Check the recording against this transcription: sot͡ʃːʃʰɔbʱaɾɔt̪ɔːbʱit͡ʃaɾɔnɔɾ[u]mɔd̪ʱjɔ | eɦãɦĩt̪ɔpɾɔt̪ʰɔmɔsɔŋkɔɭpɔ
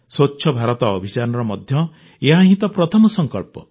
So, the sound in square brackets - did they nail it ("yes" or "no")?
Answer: no